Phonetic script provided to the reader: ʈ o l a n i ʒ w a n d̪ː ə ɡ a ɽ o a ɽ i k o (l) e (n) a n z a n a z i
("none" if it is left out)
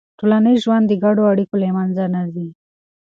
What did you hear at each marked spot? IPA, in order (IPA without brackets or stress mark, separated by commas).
l, m